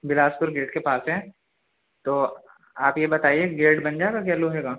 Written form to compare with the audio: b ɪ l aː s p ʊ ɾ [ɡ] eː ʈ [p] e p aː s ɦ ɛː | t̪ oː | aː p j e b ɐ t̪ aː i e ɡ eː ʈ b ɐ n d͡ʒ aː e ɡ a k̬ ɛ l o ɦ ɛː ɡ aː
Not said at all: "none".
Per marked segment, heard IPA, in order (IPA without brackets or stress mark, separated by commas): ɡ, k